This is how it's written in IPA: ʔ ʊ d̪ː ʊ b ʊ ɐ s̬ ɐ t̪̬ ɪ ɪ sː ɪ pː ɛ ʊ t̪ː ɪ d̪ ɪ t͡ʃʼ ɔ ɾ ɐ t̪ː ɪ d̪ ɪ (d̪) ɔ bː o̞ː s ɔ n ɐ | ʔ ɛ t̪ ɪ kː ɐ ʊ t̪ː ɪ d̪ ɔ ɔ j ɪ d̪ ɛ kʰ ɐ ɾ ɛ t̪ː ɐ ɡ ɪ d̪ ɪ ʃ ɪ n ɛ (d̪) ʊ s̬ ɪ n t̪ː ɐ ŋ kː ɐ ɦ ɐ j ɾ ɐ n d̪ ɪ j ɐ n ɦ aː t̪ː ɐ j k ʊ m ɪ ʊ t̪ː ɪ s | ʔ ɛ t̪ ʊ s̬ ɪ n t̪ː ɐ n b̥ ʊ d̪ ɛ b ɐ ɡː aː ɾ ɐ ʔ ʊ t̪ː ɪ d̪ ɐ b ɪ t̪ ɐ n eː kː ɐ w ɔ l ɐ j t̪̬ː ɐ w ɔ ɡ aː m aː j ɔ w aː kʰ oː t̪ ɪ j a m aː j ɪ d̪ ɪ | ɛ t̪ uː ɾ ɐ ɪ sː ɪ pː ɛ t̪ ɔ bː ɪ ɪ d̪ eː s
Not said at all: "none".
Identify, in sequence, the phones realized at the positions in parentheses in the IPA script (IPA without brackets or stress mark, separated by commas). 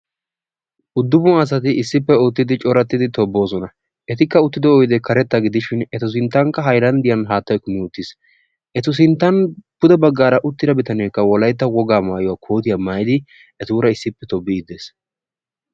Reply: t̪, t̪